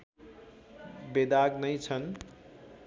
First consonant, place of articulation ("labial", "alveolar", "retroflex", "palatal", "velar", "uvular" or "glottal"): labial